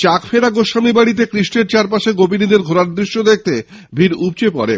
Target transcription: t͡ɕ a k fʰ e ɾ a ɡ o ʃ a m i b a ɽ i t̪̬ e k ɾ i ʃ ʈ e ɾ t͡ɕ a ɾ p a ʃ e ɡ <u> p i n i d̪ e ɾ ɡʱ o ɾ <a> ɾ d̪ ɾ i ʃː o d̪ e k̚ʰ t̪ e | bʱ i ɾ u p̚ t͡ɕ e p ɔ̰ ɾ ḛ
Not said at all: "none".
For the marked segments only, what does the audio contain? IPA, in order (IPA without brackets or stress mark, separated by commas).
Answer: o, a